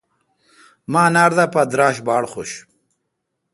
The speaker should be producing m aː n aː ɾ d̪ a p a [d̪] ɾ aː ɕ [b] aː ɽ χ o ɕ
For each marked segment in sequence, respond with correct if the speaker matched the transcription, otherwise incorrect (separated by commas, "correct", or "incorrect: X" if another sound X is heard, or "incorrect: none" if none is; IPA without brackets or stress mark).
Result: correct, correct